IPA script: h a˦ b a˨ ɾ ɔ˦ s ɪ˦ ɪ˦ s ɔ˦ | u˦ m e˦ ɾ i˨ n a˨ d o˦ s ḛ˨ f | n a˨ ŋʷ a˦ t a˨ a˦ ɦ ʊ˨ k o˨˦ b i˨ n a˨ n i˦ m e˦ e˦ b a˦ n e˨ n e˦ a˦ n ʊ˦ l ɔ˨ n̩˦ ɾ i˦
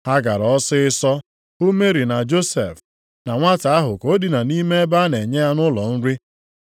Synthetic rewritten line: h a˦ ɡ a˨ ɾ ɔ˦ s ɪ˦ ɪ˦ s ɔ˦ | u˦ m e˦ ɾ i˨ n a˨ d͡ʒ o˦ s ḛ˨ f | n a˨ ŋʷ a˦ t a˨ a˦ ɦ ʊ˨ k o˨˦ d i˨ n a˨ n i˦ m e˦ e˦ b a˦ n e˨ ɲ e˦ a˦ n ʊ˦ l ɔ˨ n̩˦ ɾ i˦